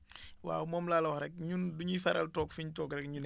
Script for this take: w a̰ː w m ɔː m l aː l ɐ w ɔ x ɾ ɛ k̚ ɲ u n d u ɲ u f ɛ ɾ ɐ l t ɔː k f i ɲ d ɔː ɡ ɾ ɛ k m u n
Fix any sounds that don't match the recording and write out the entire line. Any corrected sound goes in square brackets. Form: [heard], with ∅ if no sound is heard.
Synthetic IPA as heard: w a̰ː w m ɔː m l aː l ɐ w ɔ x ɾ ɛ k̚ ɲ u n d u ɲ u f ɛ ɾ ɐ l t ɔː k f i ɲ [t] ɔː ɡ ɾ ɛ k [ɲ] u n